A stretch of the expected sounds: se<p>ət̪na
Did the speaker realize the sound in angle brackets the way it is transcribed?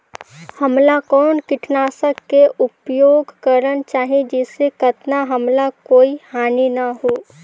no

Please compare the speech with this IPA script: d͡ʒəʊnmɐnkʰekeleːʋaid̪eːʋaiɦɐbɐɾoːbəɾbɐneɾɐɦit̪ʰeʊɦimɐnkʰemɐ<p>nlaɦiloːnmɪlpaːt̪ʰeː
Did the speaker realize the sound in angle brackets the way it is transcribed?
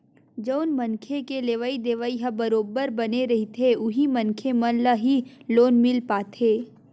no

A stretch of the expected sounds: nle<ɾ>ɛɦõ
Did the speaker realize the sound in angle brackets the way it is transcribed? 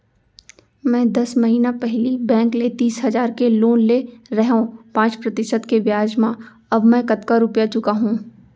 yes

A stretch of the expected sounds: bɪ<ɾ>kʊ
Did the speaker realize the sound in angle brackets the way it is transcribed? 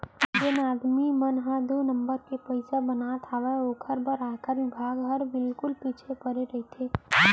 no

